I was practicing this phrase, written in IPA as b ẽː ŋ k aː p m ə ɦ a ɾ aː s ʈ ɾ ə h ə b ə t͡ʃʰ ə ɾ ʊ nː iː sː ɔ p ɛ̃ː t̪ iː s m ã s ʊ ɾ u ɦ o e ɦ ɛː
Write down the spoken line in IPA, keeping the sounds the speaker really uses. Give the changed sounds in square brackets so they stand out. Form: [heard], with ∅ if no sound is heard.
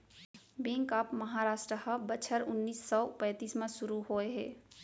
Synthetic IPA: b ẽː ŋ k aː p m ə ɦ a ɾ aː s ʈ ɾ ə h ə b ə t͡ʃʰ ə ɾ ʊ nː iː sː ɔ p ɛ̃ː t̪ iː s m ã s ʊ ɾ u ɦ o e ɦ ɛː